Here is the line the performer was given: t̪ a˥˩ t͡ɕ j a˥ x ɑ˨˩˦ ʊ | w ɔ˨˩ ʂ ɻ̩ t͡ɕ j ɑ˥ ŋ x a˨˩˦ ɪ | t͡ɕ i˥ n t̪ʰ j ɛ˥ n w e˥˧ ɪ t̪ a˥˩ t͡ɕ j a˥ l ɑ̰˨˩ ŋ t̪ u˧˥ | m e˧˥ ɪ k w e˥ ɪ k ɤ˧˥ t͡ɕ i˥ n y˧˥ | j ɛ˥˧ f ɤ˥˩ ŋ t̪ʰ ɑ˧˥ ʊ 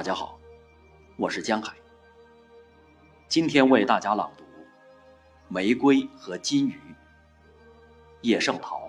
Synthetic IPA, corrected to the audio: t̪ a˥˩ t͡ɕ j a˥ x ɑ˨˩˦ ʊ | w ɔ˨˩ ʂ ɻ̩ t͡ɕ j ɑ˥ ŋ x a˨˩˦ ɪ | t͡ɕ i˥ n t̪ʰ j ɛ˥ n w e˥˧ ɪ t̪ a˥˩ t͡ɕ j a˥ l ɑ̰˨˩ ŋ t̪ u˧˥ | m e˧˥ ɪ k w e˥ ɪ x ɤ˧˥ t͡ɕ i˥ n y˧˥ | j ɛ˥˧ ʂ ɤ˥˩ ŋ t̪ʰ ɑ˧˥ ʊ